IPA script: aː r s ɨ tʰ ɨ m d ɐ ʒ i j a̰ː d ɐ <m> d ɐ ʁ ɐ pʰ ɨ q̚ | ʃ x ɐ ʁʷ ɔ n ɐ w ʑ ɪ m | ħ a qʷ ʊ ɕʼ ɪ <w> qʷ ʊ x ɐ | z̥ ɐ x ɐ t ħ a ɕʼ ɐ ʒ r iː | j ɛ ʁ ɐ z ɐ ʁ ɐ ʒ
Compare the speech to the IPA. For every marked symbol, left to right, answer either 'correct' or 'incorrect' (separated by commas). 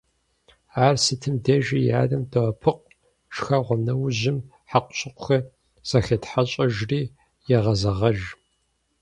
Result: correct, incorrect